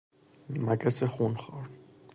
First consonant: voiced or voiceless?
voiced